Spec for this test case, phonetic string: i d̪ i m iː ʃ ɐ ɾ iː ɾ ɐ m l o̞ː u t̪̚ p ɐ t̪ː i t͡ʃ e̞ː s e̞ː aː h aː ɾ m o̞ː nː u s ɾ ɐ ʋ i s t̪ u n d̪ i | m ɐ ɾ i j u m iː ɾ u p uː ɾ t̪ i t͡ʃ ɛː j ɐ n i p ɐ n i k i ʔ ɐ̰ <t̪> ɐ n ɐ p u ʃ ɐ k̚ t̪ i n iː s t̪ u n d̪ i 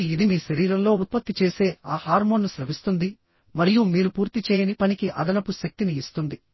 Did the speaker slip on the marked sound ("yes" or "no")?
yes